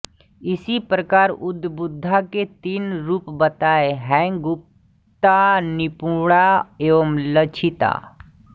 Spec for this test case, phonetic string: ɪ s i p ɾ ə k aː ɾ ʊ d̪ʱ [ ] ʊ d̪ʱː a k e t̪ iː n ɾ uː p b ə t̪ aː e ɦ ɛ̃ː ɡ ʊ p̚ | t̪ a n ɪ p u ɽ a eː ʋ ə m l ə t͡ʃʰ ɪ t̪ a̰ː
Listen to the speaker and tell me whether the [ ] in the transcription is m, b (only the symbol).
b